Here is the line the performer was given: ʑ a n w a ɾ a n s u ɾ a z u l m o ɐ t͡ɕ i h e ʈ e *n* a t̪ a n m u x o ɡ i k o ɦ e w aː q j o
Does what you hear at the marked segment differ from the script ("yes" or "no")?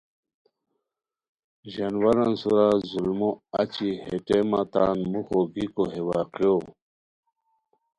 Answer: yes